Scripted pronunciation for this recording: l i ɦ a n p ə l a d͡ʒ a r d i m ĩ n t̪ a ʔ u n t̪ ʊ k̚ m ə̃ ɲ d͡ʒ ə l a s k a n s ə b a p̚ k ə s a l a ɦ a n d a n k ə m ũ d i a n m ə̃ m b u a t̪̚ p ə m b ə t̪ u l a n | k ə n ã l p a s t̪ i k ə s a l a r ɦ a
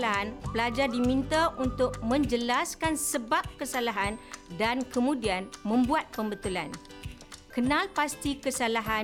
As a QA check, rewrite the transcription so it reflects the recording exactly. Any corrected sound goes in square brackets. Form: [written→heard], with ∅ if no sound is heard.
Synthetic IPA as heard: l [i→a] ɦ a n p ə l a d͡ʒ a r d i m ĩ n t̪ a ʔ u n t̪ ʊ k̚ m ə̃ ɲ d͡ʒ ə l a s k a n s ə b a p̚ k ə s a l a ɦ a n d a n k ə m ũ d i a n m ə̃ m b u a t̪̚ p ə m b ə t̪ u l a n | k ə n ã l p a s t̪ i k ə s a l a [r→∅] ɦ a